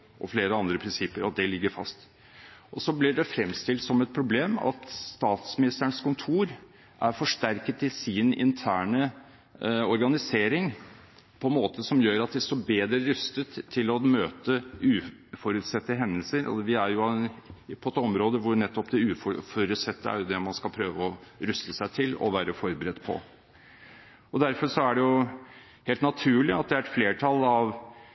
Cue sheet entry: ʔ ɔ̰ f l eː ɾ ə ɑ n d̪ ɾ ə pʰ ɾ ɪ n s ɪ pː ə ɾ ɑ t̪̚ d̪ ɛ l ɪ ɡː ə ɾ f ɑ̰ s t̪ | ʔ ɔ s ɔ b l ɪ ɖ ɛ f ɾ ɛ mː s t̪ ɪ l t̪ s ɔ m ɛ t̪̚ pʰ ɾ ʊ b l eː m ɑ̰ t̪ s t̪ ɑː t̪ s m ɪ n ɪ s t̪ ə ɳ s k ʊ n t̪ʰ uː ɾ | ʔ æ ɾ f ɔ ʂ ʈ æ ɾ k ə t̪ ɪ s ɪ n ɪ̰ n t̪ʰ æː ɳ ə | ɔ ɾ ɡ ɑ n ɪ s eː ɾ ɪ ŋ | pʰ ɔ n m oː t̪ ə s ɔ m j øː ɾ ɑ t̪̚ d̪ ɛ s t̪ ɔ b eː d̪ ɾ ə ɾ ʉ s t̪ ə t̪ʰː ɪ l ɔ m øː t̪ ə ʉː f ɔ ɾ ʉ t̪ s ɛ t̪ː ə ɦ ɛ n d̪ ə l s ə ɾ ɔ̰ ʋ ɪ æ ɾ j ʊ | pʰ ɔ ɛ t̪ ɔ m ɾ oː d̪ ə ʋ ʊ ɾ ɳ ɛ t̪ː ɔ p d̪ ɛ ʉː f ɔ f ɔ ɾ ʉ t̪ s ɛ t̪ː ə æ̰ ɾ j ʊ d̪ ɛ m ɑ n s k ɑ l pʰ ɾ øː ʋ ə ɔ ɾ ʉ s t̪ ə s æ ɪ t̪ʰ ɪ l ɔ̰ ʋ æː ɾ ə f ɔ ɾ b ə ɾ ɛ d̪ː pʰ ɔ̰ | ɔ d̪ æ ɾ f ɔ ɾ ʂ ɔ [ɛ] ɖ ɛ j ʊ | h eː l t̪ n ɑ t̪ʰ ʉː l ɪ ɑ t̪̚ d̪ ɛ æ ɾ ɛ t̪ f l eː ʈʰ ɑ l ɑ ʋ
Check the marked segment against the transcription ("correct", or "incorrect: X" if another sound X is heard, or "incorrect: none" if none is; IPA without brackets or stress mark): incorrect: æ